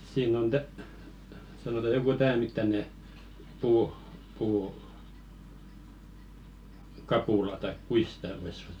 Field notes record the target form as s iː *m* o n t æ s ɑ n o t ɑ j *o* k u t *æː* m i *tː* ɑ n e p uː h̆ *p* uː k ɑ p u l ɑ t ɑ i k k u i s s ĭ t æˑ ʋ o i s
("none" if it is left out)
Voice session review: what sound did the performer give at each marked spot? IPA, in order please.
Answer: n, o, æː, tː, p

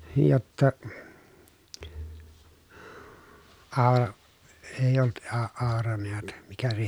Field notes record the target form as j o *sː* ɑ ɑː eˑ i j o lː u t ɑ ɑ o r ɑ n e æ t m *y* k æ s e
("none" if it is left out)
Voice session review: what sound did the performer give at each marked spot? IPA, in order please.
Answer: tː, i

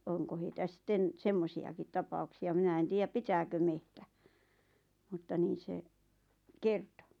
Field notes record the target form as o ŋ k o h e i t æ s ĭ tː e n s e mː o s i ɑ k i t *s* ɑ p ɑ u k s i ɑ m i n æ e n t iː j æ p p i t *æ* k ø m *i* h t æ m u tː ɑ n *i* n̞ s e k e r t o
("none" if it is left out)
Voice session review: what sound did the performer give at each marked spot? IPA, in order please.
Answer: t, æː, e, iː

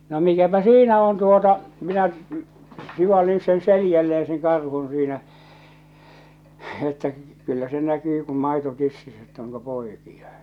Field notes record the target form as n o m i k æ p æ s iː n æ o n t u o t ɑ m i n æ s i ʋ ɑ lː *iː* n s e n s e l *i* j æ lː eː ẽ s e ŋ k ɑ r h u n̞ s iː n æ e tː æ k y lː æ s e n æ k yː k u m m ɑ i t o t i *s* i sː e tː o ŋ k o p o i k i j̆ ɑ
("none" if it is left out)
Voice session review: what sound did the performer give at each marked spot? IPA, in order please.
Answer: i, i, sː

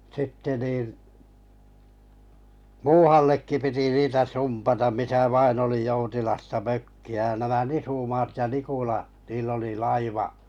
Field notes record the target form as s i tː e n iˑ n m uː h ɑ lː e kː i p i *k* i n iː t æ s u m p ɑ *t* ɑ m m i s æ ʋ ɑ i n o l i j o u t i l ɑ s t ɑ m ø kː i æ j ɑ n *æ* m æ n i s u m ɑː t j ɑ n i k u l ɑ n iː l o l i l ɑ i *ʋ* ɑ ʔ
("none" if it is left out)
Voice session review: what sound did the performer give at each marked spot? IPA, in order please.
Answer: t, t, æ, ʋ

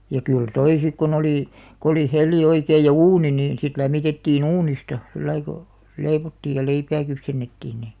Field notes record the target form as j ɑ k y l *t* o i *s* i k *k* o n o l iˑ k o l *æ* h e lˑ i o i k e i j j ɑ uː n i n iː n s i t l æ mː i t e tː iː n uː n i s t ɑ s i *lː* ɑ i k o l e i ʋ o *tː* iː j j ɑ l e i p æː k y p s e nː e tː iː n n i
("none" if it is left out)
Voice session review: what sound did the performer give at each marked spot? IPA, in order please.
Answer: t, s, k, i, lː, tː

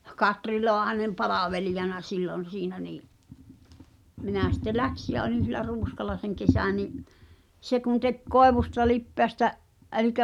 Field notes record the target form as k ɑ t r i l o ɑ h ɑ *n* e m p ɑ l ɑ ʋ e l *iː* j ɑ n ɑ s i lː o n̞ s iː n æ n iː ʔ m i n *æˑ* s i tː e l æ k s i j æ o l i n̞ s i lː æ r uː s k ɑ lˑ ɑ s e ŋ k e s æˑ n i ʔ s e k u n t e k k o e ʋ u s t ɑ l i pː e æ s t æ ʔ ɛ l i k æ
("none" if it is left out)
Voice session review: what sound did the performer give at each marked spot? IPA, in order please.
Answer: n, i, æˑ

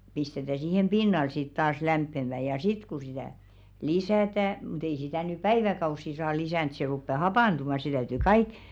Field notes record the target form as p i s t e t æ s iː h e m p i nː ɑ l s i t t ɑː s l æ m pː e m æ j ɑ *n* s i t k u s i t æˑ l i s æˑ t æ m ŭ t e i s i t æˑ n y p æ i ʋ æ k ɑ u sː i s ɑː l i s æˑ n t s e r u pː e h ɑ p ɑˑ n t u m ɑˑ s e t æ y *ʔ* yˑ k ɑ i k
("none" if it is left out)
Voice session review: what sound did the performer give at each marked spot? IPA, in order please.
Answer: none, t

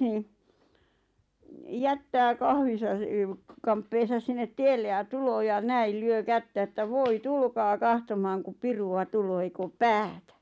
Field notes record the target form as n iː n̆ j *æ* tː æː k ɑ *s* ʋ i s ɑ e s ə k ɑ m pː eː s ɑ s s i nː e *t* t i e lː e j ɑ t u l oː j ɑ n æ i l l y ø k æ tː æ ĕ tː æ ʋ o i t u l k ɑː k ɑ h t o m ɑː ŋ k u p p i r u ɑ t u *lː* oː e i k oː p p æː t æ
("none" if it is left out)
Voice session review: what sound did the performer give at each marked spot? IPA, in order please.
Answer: æ, h, t, l

